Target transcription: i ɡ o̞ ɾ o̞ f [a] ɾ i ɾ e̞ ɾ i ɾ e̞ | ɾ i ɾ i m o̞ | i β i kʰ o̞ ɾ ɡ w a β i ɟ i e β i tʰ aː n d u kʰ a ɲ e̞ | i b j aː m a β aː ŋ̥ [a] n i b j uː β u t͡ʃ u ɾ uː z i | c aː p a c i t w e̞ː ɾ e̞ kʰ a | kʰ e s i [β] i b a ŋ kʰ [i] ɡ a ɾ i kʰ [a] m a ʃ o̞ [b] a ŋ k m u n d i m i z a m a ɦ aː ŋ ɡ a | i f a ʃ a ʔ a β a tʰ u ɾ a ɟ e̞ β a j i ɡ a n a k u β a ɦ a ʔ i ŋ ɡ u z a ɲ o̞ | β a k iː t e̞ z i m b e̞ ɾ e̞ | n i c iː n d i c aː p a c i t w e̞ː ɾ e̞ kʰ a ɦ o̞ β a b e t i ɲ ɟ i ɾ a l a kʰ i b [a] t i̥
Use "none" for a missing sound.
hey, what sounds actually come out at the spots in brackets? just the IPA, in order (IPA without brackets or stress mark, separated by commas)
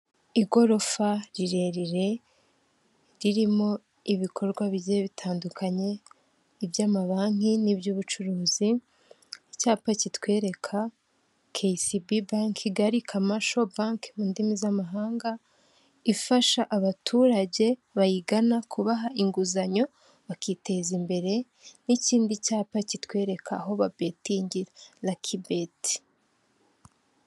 a, i, b, i, a, b, e